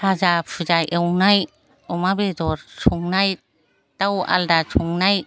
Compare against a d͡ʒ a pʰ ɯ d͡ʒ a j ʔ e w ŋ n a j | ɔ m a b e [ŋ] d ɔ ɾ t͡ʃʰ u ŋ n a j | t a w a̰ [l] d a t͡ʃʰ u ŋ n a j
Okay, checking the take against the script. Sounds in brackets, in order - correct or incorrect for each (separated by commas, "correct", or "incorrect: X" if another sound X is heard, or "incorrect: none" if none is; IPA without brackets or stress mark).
incorrect: none, correct